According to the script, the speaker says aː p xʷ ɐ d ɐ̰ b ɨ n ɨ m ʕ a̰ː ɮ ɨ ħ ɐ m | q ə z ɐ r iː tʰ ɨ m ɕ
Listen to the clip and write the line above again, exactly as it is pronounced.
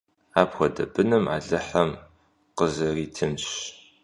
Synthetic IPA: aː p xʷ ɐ d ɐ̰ b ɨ n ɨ m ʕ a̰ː ɮ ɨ ħ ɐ m | q ə z ɐ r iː tʰ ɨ m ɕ

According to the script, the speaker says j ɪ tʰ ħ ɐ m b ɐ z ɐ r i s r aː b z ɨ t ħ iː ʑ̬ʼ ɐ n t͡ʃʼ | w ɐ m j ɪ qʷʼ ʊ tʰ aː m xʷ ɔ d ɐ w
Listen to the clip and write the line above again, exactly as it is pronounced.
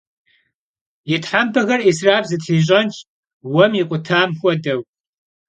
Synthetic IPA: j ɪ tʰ ħ a m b ɐ ɣ ɐ r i s r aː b z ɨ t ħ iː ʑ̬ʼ ɐ n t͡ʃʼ | w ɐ m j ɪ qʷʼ ʊ tʰ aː m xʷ ɔ d ɐ w

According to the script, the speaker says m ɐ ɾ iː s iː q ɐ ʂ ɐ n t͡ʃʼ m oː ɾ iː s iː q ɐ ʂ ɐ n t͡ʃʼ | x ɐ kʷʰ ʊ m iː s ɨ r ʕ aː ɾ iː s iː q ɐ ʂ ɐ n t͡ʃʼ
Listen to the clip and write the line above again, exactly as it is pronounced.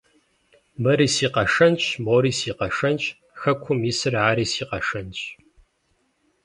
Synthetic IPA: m ɐ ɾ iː s iː q ɐ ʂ ɐ n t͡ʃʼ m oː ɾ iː s iː q ɐ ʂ ɐ n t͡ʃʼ | x ɐ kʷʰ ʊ m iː s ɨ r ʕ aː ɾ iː s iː q ɐ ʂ ɐ n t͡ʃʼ

